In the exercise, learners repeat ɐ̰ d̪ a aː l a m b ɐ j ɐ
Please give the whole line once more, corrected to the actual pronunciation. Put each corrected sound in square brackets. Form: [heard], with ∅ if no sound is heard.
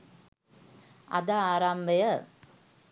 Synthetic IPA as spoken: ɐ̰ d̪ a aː [ɾ] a m b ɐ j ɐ